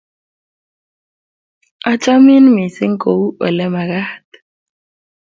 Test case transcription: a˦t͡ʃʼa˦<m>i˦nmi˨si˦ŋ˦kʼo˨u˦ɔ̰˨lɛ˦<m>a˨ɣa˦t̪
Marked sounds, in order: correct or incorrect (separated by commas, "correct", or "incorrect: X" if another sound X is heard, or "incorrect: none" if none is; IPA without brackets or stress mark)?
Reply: correct, correct